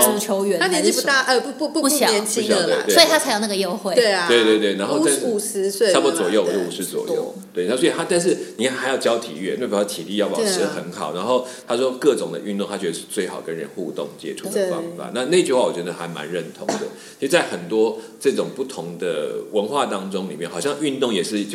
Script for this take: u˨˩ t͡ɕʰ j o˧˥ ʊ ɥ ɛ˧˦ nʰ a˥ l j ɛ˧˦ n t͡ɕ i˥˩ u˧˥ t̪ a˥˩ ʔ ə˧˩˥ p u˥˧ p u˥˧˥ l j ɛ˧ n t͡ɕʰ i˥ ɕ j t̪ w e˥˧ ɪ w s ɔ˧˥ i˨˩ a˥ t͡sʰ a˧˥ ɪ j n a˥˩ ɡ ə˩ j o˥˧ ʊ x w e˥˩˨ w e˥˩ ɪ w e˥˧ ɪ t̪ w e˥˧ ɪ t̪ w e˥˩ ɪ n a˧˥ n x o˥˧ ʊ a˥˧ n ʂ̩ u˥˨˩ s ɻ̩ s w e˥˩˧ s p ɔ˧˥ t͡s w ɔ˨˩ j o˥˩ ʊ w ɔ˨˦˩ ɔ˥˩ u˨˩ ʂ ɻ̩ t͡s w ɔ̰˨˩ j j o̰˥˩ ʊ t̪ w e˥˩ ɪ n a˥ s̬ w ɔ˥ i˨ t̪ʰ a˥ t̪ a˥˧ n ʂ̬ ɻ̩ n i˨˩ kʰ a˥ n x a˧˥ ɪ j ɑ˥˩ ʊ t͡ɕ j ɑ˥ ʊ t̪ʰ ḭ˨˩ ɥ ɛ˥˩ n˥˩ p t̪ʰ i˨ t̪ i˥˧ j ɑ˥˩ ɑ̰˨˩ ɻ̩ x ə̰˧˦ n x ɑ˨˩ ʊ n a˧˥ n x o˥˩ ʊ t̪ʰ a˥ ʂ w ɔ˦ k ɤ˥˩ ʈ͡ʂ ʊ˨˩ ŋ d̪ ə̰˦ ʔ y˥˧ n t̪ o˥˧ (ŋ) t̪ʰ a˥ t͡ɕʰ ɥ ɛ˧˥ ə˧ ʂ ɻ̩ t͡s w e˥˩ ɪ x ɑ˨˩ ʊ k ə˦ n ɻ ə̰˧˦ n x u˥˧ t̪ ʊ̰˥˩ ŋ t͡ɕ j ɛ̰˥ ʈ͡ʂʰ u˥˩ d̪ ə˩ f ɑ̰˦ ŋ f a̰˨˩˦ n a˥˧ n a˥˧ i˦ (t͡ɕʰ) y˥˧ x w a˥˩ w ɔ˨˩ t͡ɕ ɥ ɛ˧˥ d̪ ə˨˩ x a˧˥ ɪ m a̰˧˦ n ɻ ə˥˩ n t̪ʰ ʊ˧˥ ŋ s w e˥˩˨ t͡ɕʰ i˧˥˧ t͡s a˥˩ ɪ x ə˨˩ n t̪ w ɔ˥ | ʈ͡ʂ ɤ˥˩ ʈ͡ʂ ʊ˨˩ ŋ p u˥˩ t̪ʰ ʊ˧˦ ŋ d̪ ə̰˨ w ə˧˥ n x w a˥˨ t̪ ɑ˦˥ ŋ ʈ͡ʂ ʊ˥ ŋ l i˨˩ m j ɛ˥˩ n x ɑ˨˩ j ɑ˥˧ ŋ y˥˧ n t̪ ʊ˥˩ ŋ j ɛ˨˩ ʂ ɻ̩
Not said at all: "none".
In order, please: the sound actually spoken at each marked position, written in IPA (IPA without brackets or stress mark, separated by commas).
ŋ, t͡ɕ